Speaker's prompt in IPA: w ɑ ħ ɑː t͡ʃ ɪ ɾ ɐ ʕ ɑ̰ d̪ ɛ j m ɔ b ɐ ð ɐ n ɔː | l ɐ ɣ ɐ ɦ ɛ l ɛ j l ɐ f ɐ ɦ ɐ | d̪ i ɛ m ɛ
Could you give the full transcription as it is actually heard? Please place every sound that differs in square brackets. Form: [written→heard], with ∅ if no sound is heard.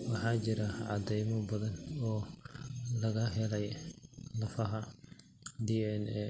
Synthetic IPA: w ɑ ħ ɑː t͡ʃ ɪ ɾ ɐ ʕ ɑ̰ d̪ ɛ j m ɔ b ɐ ð ɐ n ɔː | l ɐ ɣ ɐ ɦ ɛ l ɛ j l ɐ f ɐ ɦ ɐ | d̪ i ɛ [m→n] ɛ